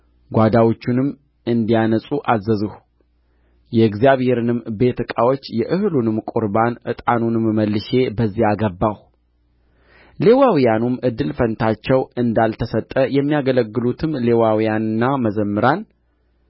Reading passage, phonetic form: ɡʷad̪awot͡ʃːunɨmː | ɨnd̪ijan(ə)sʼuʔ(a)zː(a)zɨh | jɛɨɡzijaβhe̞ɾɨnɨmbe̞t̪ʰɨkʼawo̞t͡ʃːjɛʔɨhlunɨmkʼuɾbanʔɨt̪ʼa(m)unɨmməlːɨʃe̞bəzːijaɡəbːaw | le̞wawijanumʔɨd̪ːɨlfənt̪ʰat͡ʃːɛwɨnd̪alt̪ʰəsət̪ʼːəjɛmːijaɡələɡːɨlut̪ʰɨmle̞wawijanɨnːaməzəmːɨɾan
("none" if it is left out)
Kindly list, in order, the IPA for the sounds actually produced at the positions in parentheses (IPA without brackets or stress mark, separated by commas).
ə, a, ə, n